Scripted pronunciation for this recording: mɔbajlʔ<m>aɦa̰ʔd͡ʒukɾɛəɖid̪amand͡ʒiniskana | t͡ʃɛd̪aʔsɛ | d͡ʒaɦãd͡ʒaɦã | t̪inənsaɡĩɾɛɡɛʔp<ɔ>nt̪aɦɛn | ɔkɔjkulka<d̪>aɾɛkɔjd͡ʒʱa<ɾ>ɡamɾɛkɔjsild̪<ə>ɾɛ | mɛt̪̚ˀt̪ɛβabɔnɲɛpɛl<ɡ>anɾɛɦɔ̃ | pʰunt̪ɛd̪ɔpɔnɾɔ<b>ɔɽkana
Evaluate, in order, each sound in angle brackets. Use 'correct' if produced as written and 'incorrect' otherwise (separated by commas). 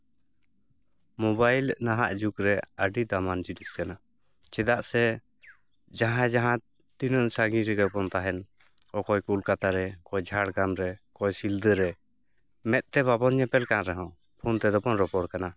incorrect, correct, incorrect, incorrect, correct, incorrect, incorrect